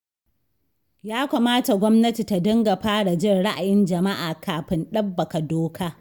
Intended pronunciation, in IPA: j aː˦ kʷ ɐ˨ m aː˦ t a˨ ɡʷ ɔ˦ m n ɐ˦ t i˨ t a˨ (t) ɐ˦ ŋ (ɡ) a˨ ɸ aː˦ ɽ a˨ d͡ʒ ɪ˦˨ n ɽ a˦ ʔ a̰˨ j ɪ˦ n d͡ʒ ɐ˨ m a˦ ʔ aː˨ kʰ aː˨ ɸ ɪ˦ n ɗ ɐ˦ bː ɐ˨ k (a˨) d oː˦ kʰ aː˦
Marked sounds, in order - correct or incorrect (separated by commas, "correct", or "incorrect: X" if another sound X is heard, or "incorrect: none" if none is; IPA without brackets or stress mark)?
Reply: incorrect: d, correct, correct